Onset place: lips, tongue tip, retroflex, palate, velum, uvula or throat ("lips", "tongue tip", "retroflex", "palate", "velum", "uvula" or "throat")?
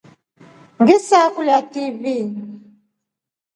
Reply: velum